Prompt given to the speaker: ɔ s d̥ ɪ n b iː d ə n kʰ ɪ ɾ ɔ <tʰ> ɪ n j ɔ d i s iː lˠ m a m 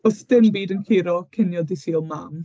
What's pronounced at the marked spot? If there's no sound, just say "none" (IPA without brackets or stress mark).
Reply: kʰ